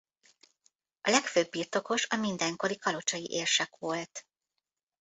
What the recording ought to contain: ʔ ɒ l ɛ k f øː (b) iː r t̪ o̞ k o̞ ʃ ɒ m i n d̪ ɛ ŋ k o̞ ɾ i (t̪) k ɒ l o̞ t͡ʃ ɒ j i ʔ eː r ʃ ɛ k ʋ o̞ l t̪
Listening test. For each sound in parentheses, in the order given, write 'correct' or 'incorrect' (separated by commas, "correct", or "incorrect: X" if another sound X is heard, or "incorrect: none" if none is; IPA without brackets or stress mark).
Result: incorrect: bː, incorrect: none